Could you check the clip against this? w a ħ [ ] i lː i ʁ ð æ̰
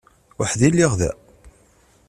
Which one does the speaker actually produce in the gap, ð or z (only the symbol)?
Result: ð